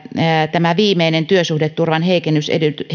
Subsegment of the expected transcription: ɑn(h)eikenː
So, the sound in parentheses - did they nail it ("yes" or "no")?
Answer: yes